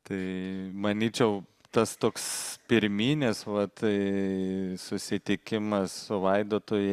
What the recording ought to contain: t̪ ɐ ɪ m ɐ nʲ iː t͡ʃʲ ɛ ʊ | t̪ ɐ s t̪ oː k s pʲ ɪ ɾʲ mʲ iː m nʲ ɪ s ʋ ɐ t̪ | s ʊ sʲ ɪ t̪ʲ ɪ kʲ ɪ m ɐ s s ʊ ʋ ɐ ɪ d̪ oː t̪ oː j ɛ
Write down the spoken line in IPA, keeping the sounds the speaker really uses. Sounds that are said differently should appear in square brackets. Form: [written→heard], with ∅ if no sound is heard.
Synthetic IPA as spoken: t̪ ɐ ɪ m ɐ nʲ iː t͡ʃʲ ɛ ʊ | t̪ ɐ s t̪ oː k s pʲ ɪ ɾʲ mʲ iː [m→∅] nʲ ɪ s ʋ ɐ t̪ | s ʊ sʲ ɪ t̪ʲ ɪ kʲ ɪ m ɐ s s ʊ ʋ ɐ ɪ d̪ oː t̪ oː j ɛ

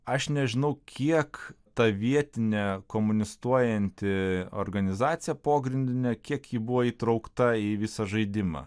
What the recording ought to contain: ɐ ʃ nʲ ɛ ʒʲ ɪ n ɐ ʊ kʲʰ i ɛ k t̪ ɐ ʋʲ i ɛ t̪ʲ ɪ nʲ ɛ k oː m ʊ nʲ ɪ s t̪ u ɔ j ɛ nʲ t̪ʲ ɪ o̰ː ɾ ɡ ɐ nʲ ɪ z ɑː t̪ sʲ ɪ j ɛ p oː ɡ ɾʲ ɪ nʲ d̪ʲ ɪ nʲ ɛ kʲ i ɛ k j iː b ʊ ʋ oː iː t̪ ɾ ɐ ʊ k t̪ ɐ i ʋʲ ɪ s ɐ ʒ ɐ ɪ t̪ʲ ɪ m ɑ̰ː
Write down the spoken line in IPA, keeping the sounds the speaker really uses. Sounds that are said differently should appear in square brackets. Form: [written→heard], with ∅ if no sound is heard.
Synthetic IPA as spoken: ɐ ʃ nʲ ɛ ʒʲ ɪ n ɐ ʊ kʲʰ i ɛ k t̪ ɐ ʋʲ i ɛ t̪ʲ ɪ nʲ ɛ k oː m ʊ nʲ ɪ s t̪ u ɔ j ɛ nʲ t̪ʲ ɪ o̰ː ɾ ɡ ɐ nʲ ɪ z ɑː t̪ sʲ ɪ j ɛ p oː ɡ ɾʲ ɪ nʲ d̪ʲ ɪ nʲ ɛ kʲ i ɛ k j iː b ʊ ʋ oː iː t̪ ɾ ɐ ʊ k t̪ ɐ i ʋʲ ɪ s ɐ ʒ ɐ ɪ [t̪ʲ→d̪ʲ] ɪ m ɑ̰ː

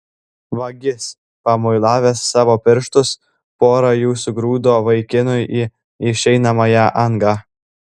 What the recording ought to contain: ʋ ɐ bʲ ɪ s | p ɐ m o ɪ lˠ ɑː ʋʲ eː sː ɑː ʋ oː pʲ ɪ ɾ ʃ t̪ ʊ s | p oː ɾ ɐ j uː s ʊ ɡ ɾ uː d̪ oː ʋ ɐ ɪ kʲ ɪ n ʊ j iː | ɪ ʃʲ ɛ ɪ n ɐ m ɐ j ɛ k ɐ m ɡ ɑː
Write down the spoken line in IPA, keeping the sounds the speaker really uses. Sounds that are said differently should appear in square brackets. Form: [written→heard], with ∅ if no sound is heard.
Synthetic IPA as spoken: ʋ ɐ [bʲ→ɡʲ] ɪ s | p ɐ m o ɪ lˠ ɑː ʋʲ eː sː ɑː ʋ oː pʲ ɪ ɾ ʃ t̪ ʊ s | p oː ɾ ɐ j uː s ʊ ɡ ɾ uː d̪ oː ʋ ɐ ɪ kʲ ɪ n ʊ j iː | ɪ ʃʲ ɛ ɪ n ɐ m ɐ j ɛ [k→ʔ] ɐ [m→ŋ] ɡ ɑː

